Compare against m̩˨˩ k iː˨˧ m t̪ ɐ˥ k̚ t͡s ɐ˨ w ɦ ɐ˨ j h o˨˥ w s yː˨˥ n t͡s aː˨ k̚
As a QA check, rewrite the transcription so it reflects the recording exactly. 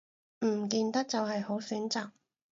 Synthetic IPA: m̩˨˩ k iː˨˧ n t̪ ɐ˥ k̚ t͡s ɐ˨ w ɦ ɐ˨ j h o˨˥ w s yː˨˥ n t͡s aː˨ k̚